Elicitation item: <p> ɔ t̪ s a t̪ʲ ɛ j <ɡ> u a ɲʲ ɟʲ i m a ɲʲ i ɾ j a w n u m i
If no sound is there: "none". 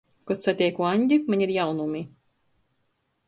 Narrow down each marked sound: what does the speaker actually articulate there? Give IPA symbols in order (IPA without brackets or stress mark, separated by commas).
k, k